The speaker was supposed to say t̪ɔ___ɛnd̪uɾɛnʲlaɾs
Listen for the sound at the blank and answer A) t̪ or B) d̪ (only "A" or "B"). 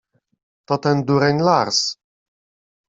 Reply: A